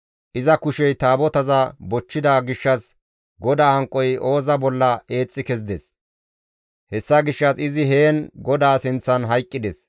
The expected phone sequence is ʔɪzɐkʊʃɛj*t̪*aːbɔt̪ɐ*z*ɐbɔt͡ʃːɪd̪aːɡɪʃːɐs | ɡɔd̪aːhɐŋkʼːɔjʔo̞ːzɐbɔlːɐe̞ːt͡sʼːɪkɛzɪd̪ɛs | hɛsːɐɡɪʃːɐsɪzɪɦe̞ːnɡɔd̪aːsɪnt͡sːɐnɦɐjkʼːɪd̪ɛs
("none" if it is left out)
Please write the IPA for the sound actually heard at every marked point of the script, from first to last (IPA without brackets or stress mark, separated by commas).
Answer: t̪, z